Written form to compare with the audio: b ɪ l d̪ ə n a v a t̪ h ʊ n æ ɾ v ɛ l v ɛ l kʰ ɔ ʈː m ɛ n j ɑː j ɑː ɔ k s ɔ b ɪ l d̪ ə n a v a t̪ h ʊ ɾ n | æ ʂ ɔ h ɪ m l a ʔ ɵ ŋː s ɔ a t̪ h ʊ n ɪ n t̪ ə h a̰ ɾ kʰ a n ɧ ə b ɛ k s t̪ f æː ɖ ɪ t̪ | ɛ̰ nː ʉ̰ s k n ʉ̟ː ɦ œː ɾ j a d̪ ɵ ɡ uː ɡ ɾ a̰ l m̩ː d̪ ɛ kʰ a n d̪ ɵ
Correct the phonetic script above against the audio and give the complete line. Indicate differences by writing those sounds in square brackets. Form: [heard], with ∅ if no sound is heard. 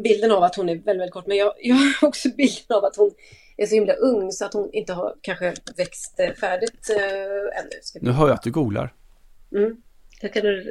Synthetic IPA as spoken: b ɪ l d̪ ə n a v a t̪ h ʊ n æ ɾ v ɛ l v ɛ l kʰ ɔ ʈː m ɛ n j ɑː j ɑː ɔ k s ɔ b ɪ l d̪ ə n a v a t̪ h ʊ [∅] n | æ ʂ ɔ h ɪ m l a ʔ ɵ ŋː s ɔ a t̪ h ʊ n ɪ n t̪ ə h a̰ ɾ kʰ a n ɧ ə [v] ɛ k s t̪ f æː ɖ ɪ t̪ | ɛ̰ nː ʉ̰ s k n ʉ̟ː ɦ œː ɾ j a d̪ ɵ ɡ uː ɡ [l] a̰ [ɾ] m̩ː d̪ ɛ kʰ a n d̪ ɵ